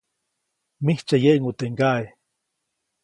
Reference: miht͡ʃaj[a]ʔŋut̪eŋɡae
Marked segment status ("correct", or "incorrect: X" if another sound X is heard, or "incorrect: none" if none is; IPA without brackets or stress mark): incorrect: e